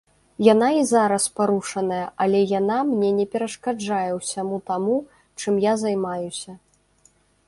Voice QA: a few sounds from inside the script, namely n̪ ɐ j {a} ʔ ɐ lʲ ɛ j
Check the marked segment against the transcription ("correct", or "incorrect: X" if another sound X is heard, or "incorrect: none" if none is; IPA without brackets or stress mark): incorrect: ɐ